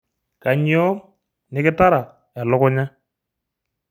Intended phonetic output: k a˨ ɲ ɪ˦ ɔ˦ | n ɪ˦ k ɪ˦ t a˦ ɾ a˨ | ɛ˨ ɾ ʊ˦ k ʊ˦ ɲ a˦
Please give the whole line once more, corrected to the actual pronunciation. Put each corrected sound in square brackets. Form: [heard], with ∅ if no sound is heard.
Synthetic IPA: k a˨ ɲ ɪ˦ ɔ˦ | n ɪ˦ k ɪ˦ t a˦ ɾ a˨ | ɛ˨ [l] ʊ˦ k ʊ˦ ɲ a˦